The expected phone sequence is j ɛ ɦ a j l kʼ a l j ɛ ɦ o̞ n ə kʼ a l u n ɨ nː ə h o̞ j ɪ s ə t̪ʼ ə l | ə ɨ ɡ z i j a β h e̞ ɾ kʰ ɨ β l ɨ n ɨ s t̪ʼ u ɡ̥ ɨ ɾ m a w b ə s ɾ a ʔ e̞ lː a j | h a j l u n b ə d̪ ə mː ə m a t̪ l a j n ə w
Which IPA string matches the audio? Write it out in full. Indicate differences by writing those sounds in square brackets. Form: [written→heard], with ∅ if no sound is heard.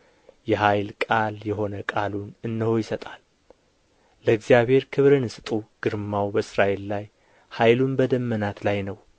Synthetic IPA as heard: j ɛ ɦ a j l kʼ a l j ɛ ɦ o̞ n ə kʼ a l u n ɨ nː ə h o̞ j ɪ s ə t̪ʼ [ə→a] l | ə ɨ ɡ z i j a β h e̞ ɾ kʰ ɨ β [l→ɾ] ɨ n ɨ s t̪ʼ u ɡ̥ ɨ ɾ m a w b ə s ɾ a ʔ e̞ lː a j | h a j l u n b ə d̪ ə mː ə [m→n] a t̪ l a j n ə w